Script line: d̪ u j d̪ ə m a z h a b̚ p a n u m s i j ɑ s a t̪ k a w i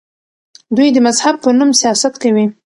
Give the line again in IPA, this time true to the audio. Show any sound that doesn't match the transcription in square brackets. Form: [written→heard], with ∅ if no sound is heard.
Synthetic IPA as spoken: d̪ u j d̪ ə m a z h a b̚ p [a→ə] n u m s i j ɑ s a t̪ k a w i